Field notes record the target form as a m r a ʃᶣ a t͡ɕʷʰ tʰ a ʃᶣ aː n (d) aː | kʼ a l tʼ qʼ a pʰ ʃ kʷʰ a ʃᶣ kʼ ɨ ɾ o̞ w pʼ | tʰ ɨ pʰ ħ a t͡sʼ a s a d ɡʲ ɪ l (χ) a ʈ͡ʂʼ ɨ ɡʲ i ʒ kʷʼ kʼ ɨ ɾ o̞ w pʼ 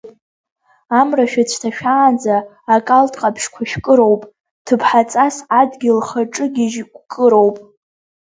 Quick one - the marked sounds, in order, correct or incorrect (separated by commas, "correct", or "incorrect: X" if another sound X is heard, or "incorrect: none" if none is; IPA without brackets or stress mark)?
incorrect: d͡z, correct